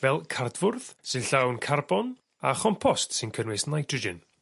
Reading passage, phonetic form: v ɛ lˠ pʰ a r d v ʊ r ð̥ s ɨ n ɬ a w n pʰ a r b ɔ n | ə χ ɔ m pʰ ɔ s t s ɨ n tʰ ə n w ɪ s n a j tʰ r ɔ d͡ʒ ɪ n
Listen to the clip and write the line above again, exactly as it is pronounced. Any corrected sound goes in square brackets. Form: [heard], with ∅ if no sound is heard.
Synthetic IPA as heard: v ɛ lˠ [kʰ] a r d v ʊ r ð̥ s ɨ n ɬ a w n [kʰ] a r b ɔ n | [a] χ ɔ m pʰ ɔ s t s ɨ n [kʰ] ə n w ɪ s n a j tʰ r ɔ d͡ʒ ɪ n